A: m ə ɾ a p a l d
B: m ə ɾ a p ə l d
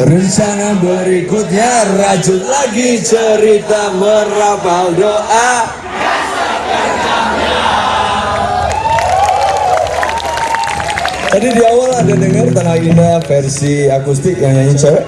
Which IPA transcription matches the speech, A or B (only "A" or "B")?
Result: A